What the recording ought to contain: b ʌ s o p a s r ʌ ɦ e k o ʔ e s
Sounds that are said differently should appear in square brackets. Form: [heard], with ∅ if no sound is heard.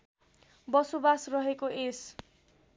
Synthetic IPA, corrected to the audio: b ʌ s o [b] a s r ʌ ɦ e k o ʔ e s